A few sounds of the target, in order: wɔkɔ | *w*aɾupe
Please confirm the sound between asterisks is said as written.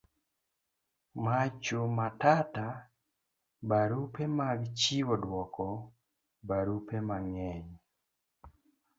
no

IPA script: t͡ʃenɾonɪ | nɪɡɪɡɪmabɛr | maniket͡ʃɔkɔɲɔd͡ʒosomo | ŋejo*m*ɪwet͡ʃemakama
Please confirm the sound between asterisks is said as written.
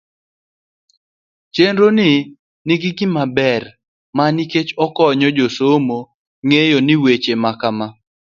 no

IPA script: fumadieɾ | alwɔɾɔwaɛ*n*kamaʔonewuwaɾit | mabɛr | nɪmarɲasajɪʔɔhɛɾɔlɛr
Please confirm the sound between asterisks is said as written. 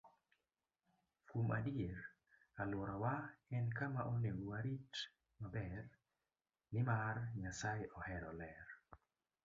yes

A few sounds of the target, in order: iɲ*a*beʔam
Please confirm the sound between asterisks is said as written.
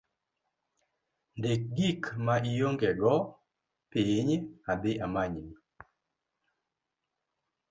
yes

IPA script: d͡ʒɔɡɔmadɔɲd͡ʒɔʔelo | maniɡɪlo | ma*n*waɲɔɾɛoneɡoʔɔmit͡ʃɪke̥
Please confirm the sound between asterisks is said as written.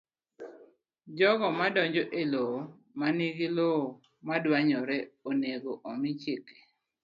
no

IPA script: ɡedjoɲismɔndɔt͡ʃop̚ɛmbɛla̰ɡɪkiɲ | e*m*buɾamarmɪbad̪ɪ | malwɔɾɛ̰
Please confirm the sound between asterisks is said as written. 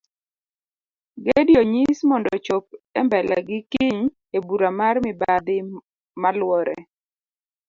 no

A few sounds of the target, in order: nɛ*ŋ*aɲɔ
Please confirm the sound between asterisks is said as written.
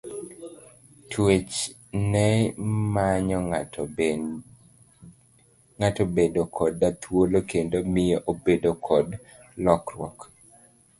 no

